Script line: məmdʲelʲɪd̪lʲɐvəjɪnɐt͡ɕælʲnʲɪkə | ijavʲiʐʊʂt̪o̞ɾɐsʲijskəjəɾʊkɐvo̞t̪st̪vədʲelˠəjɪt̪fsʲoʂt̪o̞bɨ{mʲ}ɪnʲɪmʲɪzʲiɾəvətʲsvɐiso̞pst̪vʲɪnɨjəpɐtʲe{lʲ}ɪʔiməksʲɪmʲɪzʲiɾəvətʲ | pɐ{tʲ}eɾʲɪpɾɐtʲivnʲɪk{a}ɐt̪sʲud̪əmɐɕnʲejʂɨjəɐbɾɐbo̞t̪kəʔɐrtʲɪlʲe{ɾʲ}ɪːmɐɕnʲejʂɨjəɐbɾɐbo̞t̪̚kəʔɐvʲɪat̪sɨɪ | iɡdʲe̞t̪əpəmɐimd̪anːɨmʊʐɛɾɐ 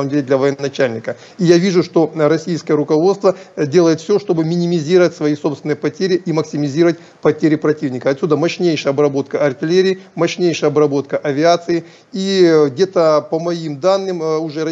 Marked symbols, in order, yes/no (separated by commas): yes, no, yes, no, yes